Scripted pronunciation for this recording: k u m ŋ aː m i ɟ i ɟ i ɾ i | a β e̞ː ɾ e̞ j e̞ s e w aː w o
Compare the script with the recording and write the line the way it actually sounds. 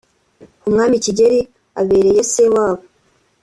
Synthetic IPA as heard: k u m ŋ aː m i c i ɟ e ɾ i | a β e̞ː ɾ e̞ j e̞ s e w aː β o